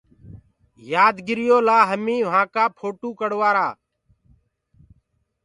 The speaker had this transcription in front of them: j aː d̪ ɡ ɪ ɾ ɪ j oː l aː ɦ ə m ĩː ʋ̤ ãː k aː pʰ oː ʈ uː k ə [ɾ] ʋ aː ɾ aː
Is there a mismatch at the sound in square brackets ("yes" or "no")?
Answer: yes